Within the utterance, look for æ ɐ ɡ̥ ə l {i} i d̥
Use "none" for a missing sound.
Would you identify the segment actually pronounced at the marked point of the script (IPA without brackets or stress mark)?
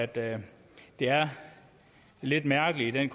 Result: i